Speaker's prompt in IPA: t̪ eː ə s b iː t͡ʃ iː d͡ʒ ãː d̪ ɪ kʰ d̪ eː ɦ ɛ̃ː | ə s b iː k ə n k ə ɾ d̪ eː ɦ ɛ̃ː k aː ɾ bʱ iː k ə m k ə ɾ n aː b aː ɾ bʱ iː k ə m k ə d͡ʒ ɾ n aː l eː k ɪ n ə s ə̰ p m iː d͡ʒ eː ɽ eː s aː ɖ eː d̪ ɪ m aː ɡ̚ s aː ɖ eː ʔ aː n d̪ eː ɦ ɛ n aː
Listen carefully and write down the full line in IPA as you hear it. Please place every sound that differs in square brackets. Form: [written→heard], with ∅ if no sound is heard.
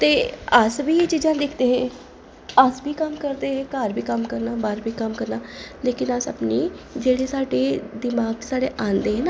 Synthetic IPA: t̪ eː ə s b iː t͡ʃ iː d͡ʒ ãː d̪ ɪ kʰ d̪ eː ɦ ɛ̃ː | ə s b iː k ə [n→m] k ə ɾ d̪ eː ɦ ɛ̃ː k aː ɾ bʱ iː k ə m k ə ɾ n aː b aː ɾ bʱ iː k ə m k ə [d͡ʒ→∅] ɾ n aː l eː k ɪ n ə s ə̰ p [m→n] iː d͡ʒ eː ɽ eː s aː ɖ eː d̪ ɪ m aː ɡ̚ s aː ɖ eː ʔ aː n d̪ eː ɦ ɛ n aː

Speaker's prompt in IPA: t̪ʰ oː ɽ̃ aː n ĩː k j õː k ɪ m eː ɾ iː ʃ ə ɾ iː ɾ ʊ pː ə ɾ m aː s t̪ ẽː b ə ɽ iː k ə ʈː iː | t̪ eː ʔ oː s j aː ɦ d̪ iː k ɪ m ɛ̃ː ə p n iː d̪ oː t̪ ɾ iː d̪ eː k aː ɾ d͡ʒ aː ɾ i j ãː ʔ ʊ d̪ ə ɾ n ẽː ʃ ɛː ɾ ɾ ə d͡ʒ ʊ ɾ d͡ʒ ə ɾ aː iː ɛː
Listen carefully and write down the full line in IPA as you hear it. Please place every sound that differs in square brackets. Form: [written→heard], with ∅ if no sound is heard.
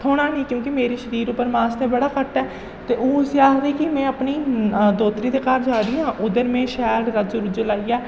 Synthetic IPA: t̪ʰ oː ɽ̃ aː n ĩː k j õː k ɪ m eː ɾ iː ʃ ə ɾ iː ɾ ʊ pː ə ɾ m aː s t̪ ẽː b ə ɽ [iː→aː] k ə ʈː [iː→ɛː] | t̪ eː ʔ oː s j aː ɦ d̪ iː k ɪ m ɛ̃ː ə p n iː d̪ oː t̪ ɾ iː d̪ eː k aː ɾ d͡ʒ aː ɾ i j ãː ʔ ʊ d̪ ə ɾ [n→m] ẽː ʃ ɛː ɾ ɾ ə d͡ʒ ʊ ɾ d͡ʒ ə [ɾ→l] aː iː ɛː

